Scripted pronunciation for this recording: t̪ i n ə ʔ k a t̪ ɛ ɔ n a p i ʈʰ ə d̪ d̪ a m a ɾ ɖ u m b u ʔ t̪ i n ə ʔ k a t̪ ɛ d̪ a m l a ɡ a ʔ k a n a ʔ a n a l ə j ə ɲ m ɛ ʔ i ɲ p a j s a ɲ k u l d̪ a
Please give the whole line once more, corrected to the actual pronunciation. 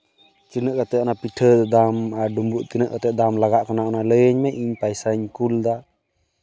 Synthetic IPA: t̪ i n ə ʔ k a t̪ ɛ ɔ n a p i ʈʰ ə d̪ d̪ a m a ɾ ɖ u m b u ʔ t̪ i n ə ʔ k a t̪ ɛ d̪ a m l a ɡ a ʔ k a n a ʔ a n a l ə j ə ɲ m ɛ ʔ i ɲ p a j s a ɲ k u l d̪ a